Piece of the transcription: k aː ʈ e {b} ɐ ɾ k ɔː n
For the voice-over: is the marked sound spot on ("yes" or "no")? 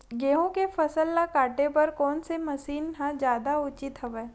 no